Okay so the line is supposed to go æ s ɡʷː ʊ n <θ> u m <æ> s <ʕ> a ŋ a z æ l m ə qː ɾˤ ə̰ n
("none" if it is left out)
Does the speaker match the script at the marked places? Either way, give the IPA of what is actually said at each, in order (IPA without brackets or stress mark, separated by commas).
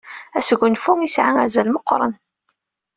f, i, ʕ